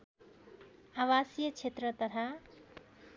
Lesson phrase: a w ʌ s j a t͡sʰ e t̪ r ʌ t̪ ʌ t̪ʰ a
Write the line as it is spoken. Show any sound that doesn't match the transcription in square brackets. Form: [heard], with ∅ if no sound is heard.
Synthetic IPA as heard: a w [a] s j [ʌ] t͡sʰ e t̪ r ʌ t̪ ʌ t̪ʰ a